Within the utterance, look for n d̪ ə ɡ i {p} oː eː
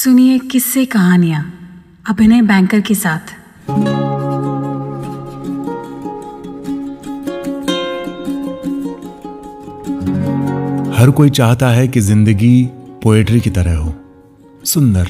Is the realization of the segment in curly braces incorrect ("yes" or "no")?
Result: no